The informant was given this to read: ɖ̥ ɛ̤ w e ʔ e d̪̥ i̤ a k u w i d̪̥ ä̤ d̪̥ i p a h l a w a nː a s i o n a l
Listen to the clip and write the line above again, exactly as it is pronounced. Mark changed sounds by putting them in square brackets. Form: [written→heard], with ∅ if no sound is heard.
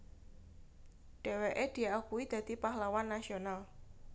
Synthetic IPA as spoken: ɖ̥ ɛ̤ w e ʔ e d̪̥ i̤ a k u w i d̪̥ ä̤ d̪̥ i p a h l a w a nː a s i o n a l